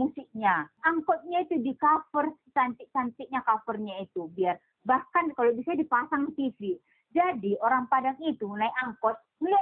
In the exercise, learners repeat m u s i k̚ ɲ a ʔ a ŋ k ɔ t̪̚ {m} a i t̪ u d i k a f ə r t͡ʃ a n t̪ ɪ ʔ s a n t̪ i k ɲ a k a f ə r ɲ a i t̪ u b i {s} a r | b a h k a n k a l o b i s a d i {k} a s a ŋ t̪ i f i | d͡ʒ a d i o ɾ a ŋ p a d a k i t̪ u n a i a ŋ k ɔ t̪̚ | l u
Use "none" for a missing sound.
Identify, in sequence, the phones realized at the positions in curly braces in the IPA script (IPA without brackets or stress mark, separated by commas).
ɲ, none, p